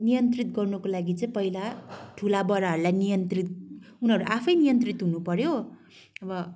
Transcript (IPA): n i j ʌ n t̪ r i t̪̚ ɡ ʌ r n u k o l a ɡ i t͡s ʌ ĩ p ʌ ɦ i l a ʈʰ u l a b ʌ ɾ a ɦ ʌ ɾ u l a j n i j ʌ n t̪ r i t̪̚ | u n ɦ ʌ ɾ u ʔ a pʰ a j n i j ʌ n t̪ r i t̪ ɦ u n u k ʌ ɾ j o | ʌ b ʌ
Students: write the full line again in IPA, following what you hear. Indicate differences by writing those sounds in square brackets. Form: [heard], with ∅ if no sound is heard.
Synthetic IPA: n i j ʌ n t̪ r i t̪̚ ɡ ʌ r n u k o l a ɡ i t͡s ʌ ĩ p ʌ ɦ i l a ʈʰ u l a b ʌ ɾ a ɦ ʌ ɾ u l a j n i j ʌ n t̪ r i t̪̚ | u n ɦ ʌ ɾ u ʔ a pʰ [ʌ] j n i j ʌ n t̪ r i t̪ ɦ u n u [p] ʌ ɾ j o | ʌ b ʌ